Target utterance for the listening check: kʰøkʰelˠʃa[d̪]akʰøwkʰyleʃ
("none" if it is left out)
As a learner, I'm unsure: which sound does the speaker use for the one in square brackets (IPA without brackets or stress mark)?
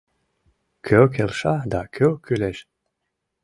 d̪